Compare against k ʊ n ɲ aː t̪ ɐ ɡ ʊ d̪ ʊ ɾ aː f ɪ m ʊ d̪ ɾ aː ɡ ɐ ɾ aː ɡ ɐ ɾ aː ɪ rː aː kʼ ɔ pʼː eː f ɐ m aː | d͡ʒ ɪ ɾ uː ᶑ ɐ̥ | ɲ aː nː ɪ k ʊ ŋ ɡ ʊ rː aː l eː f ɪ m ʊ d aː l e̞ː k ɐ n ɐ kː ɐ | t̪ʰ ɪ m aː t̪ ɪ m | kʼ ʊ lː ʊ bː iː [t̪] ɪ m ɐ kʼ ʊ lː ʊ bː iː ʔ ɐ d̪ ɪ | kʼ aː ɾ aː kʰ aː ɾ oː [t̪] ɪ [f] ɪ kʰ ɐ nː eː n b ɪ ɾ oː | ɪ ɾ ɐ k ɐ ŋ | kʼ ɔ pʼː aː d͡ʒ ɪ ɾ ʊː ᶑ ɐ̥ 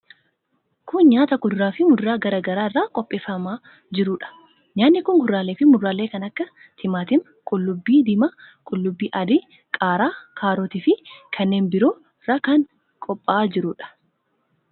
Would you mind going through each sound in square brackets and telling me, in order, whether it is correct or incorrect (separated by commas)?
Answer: incorrect, correct, correct